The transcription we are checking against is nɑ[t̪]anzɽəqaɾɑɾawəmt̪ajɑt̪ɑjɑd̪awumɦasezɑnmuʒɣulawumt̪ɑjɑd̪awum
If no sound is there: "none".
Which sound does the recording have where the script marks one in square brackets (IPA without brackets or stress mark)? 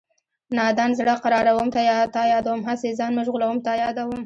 d̪